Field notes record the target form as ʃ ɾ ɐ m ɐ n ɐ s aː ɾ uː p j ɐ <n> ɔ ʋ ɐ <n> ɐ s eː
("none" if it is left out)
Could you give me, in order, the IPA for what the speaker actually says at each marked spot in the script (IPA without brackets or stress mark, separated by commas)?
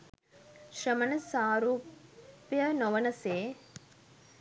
n, n